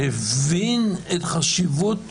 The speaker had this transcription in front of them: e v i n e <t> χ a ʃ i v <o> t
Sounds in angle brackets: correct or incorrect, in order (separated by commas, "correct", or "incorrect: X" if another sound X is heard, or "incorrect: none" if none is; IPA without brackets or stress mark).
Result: correct, incorrect: u